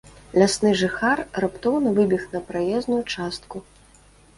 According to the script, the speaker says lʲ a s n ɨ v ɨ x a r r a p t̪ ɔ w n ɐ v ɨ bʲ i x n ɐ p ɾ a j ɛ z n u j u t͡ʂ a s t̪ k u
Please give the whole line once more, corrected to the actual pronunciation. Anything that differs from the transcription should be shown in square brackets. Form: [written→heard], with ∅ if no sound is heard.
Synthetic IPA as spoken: lʲ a s n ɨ [v→ʐ] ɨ x a r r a p t̪ ɔ w n ɐ v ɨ bʲ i x n ɐ p ɾ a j ɛ z n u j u t͡ʂ a s t̪ k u

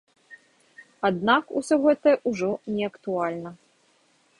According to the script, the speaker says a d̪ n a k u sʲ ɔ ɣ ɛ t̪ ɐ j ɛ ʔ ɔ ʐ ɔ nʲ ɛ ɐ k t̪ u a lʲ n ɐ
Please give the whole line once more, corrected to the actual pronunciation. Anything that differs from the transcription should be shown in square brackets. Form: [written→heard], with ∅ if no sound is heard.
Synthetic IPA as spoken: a d̪ n a k u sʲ ɔ ɣ ɛ t̪ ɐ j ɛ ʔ [ɔ→u] ʐ ɔ nʲ ɛ ɐ k t̪ u a lʲ n ɐ

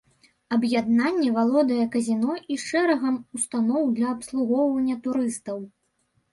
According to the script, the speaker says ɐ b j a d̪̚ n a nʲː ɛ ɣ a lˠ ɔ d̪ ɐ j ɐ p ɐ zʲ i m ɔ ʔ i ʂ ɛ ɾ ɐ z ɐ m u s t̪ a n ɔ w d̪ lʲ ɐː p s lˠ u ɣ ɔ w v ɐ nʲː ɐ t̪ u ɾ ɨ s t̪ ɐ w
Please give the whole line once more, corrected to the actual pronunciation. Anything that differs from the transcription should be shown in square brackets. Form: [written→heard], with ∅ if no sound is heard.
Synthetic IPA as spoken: ɐ b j a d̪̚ n a nʲː ɛ [ɣ→v] a lˠ ɔ d̪ ɐ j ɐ [p→k] ɐ zʲ i [m→n] ɔ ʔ i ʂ ɛ ɾ ɐ [z→ɣ] ɐ m u s t̪ a n ɔ w d̪ lʲ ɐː p s lˠ u ɣ ɔ w v ɐ nʲː ɐ t̪ u ɾ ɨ s t̪ ɐ w

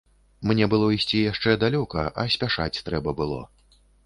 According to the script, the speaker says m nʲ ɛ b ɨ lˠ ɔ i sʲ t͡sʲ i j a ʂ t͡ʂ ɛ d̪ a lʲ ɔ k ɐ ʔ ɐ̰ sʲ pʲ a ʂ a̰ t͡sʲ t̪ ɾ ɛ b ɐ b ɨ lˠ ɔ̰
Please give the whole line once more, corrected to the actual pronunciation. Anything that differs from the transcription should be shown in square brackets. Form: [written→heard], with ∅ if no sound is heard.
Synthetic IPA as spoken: m nʲ ɛ b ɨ lˠ ɔ i sʲ t͡sʲ i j a ʂ t͡ʂ ɛ d̪ a lʲ ɔ k ɐ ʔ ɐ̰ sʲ pʲ a ʂ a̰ t͡sʲ t̪ ɾ ɛ b ɐ b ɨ lˠ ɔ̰

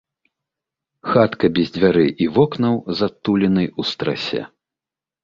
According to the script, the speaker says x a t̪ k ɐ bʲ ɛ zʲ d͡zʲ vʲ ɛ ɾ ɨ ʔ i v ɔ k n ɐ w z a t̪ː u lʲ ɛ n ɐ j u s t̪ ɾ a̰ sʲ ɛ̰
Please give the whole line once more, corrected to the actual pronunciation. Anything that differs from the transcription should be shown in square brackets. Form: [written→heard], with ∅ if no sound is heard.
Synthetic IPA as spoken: x a t̪ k ɐ bʲ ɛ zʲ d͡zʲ vʲ [ɛ→a] ɾ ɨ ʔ i v ɔ k n ɐ w z a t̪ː u lʲ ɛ n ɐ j u s t̪ ɾ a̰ sʲ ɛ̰

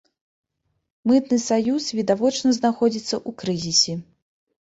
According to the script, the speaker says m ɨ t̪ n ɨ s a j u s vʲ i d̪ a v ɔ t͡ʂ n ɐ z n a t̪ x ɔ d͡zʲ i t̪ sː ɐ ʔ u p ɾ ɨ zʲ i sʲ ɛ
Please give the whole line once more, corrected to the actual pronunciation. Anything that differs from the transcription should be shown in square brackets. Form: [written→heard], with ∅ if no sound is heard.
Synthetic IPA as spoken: m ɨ t̪ n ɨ s a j u s vʲ i d̪ a v ɔ t͡ʂ n ɐ z n a [t̪→∅] x ɔ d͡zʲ i t̪ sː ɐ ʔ u [p→k] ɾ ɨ zʲ i sʲ ɛ

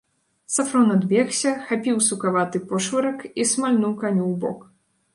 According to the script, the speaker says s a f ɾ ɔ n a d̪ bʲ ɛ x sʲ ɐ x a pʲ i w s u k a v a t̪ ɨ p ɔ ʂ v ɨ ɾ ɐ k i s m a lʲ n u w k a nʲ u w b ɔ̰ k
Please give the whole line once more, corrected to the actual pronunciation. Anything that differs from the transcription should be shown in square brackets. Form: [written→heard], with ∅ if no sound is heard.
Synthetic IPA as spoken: s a f ɾ ɔ n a d̪ bʲ ɛ x sʲ ɐ x a pʲ i w s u k a v a t̪ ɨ p ɔ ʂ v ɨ ɾ ɐ k i s m a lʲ n u w k a nʲ u w b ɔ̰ k

